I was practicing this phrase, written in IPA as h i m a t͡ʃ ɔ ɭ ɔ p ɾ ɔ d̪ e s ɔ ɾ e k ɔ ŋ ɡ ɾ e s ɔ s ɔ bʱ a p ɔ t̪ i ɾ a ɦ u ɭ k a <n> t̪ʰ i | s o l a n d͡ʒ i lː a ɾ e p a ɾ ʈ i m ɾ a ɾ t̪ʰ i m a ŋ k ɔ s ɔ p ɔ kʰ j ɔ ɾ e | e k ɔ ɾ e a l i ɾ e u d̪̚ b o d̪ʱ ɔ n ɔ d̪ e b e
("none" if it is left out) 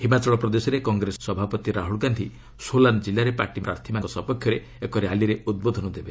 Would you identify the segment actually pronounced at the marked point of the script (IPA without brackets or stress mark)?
n